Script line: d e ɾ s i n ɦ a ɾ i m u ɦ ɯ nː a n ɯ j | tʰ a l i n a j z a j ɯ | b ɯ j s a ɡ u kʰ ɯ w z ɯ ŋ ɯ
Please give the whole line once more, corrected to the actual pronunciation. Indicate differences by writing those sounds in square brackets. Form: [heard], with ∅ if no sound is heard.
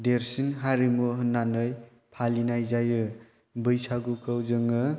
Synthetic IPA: d e ɾ s i n ɦ a ɾ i m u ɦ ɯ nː a n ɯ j | [pʰ] a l i n a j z a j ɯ | b ɯ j s a ɡ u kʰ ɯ w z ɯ ŋ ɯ

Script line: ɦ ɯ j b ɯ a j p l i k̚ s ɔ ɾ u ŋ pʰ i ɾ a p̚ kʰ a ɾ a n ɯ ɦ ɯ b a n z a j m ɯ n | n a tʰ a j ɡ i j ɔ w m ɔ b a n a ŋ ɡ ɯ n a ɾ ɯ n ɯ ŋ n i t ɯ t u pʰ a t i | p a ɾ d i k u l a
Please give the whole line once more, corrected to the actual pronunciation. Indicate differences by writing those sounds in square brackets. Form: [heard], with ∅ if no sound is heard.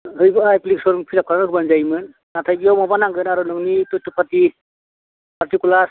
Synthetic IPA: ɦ ɯ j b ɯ a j p l i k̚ s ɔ ɾ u ŋ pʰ i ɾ a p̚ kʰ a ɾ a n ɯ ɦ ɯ b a n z a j m ɯ n | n a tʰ a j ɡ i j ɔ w m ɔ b a n a ŋ ɡ ɯ n a ɾ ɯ n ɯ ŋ n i t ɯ t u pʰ a t i | p a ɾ [t] i k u l a

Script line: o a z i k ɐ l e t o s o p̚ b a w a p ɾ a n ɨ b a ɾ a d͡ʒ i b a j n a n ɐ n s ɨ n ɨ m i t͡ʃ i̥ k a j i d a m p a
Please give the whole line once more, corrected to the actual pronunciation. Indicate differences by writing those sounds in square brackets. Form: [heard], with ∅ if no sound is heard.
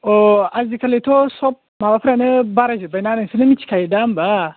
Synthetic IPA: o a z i k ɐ l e t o s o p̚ [m] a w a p ɾ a n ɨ b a ɾ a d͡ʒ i b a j n a n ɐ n s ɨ n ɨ m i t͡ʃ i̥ k a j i d a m [b] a

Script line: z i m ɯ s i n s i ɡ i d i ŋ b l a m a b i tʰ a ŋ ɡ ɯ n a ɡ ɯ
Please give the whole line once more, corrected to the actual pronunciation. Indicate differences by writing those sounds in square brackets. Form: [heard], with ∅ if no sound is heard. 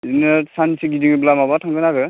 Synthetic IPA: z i [n] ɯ s [a] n s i ɡ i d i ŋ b l a m a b [a] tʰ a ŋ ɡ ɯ n a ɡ ɯ

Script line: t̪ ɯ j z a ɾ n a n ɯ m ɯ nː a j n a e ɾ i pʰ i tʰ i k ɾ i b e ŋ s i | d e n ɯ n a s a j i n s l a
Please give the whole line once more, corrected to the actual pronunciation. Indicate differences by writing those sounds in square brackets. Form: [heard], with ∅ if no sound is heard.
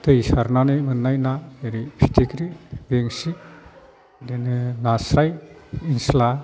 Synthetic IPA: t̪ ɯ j [s] a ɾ n a n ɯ m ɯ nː a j n a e ɾ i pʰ i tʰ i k ɾ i b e ŋ s i | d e n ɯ n a s a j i n s l a

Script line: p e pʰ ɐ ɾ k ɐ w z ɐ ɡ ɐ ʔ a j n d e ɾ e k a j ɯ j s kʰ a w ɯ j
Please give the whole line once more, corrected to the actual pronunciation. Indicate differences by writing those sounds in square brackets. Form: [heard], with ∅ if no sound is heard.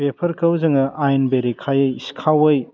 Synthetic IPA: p e pʰ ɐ ɾ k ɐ w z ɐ [ŋ] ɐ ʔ a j n [b] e ɾ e [kʰ] a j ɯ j s kʰ a w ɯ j

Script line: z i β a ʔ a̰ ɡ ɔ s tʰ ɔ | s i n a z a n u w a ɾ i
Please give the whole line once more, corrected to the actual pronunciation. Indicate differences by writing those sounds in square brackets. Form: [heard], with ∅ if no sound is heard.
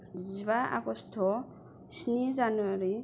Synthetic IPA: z i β a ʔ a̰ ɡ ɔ s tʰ ɔ | s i n [i] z a n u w a ɾ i

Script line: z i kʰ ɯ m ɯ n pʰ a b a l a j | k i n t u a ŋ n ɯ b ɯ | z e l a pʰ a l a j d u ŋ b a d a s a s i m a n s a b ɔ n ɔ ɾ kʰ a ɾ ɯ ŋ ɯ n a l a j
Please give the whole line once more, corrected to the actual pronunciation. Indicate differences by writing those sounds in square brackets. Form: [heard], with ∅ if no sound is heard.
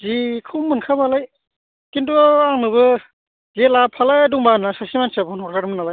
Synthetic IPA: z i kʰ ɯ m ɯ n [kʰ] a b a l a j | k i n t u a ŋ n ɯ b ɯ | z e l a pʰ a l a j d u ŋ b a [n] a s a s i m a n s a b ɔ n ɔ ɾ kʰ a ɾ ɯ [m] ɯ n a l a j

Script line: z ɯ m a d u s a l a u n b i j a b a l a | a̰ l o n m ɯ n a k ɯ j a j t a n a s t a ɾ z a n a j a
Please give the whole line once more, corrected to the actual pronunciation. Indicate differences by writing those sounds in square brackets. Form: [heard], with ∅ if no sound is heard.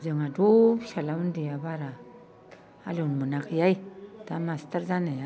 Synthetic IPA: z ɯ [ŋ] a d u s a l a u n [d] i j a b a [ɾ] a | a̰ l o n m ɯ n a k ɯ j a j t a [m] a s t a ɾ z a n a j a

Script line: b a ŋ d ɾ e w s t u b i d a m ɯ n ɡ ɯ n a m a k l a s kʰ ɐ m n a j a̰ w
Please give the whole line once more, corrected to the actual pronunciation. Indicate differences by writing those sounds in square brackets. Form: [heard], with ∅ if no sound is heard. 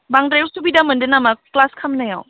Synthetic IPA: b a ŋ d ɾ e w s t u b i d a m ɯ n [d] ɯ n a m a k l a s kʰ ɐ m n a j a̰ w

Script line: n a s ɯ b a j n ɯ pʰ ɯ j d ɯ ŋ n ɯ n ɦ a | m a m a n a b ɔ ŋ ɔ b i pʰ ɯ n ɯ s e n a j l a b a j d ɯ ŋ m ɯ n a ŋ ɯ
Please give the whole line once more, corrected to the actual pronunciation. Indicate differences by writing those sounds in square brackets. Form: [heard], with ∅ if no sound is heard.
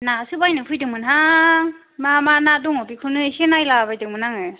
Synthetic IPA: n a s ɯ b a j n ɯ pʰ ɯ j d ɯ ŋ [m] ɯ n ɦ a | m a m a n a [d] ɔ ŋ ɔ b i [kʰ] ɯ n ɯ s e n a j l a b a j d ɯ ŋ m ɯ n a ŋ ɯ

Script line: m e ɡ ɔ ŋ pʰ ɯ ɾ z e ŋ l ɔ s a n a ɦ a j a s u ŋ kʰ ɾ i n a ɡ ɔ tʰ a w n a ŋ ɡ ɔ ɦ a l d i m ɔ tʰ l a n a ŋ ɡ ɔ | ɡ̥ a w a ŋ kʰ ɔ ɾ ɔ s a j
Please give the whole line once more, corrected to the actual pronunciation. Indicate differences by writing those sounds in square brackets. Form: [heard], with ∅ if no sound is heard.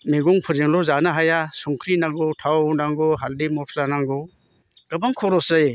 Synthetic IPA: m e ɡ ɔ ŋ pʰ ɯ ɾ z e ŋ l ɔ [z] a n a ɦ a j a s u ŋ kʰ ɾ i n a ɡ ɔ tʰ a w n a ŋ ɡ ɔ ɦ a l d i m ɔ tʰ l a n a ŋ ɡ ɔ | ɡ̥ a [b] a ŋ kʰ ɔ ɾ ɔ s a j

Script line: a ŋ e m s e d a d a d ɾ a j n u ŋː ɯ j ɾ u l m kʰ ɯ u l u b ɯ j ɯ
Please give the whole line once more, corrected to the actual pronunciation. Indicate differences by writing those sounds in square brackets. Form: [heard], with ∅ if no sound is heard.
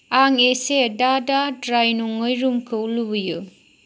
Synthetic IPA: a ŋ e [∅] s e d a d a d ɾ a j n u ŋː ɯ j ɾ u [∅] m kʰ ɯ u l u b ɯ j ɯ

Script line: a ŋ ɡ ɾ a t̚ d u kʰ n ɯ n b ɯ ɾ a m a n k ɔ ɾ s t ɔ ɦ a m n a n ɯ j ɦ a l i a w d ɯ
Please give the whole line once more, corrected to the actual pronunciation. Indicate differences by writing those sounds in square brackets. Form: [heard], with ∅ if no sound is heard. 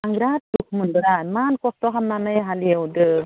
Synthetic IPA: a ŋ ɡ ɾ a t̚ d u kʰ [m] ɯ n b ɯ ɾ a m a n k ɔ [∅] s t ɔ ɦ a m n a n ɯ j ɦ a l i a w d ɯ

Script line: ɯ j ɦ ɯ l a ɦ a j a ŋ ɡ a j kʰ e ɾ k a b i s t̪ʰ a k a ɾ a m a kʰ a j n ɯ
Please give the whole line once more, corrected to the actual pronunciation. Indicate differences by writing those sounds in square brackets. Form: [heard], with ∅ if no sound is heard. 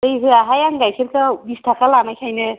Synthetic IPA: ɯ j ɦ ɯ [∅] a ɦ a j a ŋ ɡ a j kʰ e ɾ k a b i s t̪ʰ a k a [l] a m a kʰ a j n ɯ

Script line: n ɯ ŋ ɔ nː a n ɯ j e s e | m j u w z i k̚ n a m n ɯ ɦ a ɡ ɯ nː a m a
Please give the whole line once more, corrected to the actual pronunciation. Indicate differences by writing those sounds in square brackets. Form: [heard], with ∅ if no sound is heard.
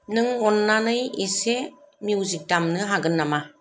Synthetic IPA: n ɯ ŋ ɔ nː a n ɯ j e s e | m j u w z i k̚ [d] a m n ɯ ɦ a ɡ ɯ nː a m a

